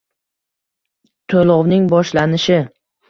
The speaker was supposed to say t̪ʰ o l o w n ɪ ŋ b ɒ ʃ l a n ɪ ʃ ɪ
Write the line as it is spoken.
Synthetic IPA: t̪ʰ o l ɒ w n ɪ ŋ b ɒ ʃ l a n ɪ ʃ ɪ

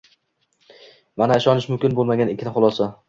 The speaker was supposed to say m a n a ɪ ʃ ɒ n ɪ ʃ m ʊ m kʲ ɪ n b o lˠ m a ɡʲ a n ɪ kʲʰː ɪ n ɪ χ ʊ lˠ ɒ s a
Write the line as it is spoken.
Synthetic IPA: m a n a ɪ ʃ ɒ n ɪ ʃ m ʊ m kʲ ɪ n b o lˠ m a ɡʲ a n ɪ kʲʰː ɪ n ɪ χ ʊ lˠ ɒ s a

